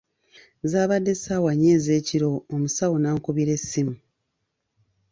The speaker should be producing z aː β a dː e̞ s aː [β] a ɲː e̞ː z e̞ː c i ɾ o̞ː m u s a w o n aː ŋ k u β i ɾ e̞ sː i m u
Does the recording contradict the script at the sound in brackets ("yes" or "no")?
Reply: yes